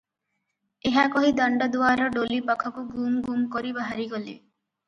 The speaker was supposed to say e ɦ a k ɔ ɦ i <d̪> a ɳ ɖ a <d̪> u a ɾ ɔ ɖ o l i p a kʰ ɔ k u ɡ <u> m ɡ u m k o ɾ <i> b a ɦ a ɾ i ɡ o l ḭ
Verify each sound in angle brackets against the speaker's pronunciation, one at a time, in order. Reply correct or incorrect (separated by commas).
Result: correct, correct, correct, correct